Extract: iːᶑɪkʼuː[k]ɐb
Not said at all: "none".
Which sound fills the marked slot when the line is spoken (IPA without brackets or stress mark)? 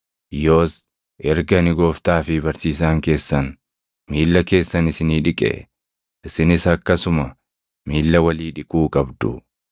kʼ